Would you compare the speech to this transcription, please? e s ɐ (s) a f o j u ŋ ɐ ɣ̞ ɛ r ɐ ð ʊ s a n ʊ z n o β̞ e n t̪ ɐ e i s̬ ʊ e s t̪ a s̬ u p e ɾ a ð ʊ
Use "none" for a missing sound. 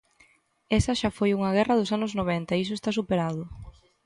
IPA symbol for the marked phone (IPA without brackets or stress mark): ʃ